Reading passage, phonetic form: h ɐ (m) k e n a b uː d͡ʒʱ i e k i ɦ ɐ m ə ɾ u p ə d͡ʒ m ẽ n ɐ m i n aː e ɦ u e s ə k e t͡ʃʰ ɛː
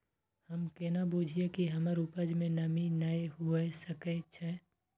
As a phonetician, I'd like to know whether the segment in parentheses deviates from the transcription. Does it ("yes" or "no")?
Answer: no